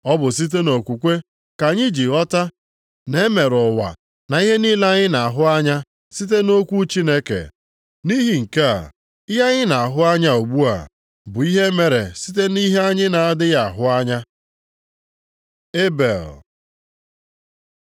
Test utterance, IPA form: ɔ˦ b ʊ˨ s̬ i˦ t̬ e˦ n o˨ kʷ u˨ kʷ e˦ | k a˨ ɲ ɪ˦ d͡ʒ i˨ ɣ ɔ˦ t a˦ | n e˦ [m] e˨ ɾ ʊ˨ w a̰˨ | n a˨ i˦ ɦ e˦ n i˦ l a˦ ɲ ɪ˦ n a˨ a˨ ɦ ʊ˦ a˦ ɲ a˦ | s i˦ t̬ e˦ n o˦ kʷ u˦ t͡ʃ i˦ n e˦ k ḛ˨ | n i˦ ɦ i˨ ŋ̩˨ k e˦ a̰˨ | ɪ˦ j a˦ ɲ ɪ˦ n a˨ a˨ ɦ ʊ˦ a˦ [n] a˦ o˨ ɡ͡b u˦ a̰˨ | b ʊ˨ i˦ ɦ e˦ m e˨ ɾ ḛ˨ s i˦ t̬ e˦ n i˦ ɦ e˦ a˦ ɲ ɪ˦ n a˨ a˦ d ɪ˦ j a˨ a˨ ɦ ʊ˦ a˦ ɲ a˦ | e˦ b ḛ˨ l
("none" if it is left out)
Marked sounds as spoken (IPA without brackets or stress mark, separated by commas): m, ɲ